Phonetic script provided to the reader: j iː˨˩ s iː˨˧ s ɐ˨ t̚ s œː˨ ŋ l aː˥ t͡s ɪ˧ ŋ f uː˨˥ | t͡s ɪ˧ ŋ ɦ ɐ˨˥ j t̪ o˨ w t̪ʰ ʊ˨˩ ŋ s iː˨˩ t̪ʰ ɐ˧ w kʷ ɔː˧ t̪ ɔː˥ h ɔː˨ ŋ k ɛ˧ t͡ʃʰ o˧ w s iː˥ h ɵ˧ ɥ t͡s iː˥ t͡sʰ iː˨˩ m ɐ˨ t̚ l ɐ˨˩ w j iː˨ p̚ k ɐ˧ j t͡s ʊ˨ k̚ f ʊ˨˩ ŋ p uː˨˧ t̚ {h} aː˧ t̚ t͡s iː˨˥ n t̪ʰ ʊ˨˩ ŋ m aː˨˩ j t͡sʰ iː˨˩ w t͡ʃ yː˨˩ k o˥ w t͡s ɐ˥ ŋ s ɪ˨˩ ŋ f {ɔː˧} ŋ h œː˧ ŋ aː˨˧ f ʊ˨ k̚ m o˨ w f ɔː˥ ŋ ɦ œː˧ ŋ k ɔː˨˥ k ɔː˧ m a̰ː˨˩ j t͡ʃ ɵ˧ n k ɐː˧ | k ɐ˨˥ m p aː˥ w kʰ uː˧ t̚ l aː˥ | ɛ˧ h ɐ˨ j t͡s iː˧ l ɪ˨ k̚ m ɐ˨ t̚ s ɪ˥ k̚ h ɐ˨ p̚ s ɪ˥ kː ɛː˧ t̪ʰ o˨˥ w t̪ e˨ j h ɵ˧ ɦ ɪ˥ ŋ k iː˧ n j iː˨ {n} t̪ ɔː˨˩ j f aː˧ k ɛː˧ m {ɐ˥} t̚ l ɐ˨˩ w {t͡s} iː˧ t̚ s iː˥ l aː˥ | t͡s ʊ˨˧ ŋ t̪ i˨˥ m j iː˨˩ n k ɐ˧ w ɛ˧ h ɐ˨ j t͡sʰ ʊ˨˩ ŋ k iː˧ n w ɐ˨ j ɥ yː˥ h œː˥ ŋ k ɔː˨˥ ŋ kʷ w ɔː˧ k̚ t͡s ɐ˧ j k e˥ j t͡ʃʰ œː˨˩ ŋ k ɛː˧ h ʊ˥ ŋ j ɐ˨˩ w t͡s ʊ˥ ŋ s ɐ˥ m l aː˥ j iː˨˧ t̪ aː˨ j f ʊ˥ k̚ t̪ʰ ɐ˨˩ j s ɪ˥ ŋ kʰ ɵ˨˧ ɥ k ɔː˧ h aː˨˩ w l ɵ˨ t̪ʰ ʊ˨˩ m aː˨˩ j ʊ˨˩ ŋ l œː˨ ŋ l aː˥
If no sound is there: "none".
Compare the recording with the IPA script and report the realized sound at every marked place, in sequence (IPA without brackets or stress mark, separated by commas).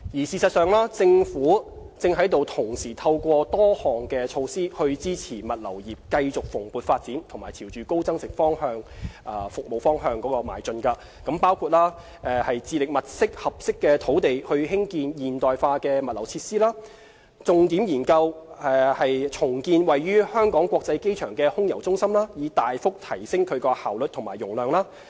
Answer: f, ɔː˥, n, ɐ˨, t͡sʰ